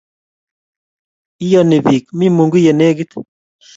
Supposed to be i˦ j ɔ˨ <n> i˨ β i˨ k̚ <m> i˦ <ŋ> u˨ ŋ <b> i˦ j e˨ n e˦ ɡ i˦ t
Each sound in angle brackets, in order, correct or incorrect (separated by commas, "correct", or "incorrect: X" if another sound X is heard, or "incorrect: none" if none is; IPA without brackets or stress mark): correct, correct, incorrect: m, incorrect: ɡ